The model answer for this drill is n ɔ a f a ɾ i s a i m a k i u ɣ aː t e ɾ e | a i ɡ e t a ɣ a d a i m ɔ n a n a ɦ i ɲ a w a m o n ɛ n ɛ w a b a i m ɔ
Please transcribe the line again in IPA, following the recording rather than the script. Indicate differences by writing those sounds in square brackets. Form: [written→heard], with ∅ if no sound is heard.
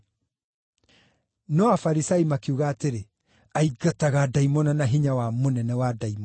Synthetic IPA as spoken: n ɔ a f a ɾ i s a i m a k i u ɣ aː t e ɾ e | a i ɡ [e→a] t a ɣ a d a i m ɔ n a n a ɦ i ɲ a w a m o n ɛ n ɛ w a [b→d] a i m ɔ